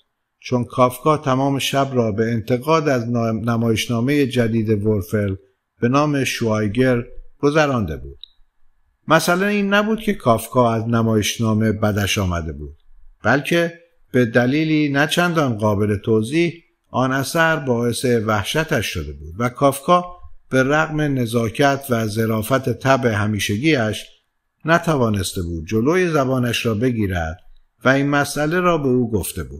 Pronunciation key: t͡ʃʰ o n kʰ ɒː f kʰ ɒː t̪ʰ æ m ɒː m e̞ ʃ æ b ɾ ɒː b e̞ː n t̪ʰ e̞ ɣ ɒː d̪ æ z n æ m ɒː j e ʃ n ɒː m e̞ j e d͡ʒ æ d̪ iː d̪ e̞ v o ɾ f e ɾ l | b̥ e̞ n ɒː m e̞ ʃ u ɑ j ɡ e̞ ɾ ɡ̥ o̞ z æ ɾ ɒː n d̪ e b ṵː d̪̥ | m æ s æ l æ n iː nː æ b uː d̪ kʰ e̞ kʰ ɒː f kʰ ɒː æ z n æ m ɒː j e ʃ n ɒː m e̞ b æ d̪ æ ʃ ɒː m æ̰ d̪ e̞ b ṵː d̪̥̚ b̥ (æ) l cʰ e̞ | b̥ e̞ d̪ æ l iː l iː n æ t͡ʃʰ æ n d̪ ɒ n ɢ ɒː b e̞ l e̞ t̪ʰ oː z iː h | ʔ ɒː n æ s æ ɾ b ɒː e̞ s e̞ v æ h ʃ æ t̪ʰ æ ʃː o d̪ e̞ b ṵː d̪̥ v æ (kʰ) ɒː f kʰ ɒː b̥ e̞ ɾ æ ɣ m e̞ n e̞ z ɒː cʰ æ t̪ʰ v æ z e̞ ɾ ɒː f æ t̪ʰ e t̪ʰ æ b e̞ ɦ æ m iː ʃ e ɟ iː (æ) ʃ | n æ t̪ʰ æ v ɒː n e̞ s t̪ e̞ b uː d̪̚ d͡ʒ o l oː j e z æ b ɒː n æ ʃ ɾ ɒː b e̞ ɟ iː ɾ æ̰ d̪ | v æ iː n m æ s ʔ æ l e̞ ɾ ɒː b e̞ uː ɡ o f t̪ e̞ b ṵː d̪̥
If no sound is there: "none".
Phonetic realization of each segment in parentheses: æ, kʰ, æ

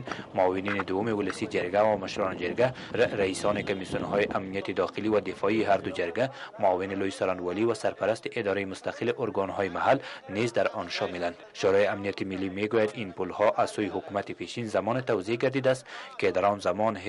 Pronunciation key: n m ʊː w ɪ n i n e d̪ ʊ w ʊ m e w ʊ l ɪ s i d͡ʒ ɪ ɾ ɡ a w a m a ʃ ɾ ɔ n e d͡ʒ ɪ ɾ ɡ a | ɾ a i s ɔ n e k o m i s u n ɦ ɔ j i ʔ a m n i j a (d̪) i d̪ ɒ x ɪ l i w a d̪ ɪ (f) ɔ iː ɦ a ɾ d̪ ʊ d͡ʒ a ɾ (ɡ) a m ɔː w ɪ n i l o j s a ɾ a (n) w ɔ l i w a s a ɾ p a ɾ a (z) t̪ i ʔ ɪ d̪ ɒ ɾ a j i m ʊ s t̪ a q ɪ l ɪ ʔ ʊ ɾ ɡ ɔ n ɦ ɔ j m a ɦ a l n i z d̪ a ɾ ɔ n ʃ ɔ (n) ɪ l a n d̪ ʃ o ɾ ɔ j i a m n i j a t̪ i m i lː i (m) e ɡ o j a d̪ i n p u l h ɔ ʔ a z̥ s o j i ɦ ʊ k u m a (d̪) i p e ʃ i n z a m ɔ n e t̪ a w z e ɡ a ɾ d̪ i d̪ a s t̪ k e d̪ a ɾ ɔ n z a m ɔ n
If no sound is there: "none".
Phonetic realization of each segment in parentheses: t̪, f, ɡ, n, s, m, m, t̪

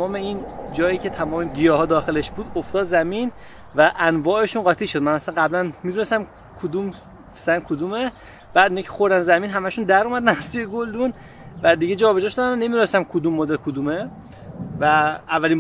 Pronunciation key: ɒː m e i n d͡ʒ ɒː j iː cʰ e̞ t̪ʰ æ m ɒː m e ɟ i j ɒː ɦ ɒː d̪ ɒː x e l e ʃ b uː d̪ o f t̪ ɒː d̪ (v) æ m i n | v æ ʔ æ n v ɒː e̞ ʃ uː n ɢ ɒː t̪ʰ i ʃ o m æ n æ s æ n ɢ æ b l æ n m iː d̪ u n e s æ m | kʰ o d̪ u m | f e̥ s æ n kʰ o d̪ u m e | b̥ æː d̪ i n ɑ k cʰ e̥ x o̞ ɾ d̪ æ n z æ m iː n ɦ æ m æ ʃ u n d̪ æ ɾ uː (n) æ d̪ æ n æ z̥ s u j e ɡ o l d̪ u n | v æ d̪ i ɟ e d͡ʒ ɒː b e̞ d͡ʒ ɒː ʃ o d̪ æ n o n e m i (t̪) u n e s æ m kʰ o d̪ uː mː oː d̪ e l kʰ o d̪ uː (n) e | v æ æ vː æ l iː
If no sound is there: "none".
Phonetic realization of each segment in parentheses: z, m, d̪, m

